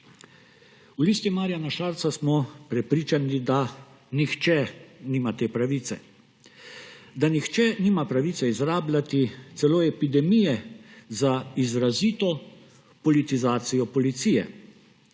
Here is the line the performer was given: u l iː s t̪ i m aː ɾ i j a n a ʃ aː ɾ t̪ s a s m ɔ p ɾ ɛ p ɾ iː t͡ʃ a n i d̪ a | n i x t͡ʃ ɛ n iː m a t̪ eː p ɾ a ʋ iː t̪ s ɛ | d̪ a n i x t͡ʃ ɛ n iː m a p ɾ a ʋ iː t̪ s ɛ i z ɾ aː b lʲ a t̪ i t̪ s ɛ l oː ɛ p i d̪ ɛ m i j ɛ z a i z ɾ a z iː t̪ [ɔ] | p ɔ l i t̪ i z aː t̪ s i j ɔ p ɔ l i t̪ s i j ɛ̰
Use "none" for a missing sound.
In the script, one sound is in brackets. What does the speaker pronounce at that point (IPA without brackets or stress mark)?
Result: ɔ